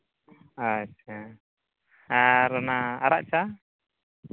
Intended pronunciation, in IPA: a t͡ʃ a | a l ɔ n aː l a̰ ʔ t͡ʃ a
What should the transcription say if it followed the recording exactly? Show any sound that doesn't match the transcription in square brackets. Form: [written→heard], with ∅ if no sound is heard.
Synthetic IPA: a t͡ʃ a | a [l→ɾ] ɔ n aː [l→ɾ] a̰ ʔ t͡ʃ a